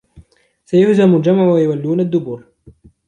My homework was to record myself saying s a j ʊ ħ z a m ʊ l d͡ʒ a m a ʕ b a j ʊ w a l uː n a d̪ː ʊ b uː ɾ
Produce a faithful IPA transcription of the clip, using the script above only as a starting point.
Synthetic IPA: s a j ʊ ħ z a m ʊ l d͡ʒ a m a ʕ w a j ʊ w a lː uː n a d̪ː ʊ b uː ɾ